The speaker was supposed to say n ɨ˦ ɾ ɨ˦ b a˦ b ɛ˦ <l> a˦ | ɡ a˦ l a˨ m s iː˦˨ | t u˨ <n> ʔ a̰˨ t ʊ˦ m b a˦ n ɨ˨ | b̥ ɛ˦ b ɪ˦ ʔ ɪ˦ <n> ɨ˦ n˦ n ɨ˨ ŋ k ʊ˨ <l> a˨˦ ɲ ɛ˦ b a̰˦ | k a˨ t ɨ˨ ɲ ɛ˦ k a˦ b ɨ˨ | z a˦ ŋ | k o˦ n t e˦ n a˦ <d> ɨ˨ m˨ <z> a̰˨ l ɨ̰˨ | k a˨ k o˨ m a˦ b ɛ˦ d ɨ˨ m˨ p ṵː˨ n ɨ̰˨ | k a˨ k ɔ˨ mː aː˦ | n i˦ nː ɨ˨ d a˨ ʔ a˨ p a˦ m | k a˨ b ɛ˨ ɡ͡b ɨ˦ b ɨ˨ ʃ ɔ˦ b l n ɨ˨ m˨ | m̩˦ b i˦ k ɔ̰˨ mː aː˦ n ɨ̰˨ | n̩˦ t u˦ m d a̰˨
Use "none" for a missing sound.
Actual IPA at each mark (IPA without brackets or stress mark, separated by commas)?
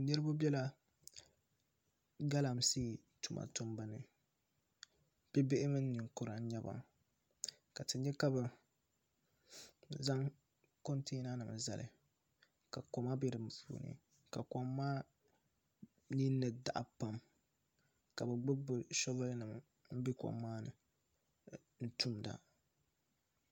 l, m, m, ɾ, n, z